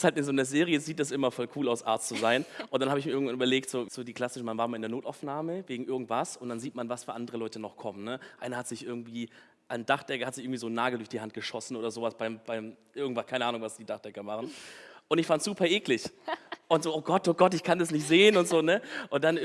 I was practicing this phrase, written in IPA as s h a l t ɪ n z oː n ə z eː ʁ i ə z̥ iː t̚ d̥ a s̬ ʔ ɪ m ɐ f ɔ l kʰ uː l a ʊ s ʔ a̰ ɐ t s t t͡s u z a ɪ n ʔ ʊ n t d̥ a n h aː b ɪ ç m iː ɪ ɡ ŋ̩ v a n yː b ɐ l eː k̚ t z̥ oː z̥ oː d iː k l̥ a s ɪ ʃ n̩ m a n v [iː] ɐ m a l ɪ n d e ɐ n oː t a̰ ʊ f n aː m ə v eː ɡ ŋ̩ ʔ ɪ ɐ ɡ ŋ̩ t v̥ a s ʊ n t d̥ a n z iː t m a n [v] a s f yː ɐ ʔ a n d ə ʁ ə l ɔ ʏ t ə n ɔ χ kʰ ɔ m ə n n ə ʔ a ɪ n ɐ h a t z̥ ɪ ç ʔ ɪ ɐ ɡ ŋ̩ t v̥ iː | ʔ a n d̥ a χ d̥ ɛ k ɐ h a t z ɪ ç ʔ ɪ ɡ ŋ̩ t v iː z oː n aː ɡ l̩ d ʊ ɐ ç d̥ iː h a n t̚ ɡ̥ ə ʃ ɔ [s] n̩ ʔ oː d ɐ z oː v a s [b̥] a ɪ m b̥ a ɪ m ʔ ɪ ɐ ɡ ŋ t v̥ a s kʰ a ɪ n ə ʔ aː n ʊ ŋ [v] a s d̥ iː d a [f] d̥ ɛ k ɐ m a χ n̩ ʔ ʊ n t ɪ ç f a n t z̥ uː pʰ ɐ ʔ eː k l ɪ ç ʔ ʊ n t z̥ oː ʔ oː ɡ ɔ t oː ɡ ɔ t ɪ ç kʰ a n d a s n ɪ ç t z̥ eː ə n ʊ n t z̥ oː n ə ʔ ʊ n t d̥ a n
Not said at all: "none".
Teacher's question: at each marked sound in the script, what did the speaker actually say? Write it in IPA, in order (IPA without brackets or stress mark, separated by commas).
aː, v, s, b̥, v, χ